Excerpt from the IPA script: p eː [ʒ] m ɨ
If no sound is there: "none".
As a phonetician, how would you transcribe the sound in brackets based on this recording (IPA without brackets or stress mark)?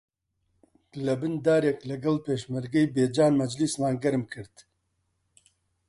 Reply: ʃ